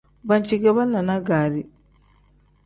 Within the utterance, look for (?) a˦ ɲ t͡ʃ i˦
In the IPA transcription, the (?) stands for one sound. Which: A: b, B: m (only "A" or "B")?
A